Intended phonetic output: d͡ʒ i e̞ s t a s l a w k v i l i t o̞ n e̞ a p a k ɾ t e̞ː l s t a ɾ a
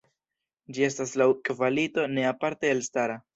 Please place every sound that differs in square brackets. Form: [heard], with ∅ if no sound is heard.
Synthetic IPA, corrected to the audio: d͡ʒ i e̞ s t a s l a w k v [a] l i t o̞ n e̞ a p a [∅] ɾ t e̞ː l s t a ɾ a